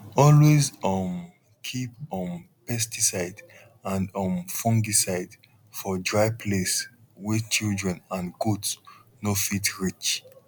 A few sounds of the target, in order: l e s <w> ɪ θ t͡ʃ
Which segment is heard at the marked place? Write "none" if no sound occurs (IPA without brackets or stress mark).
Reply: w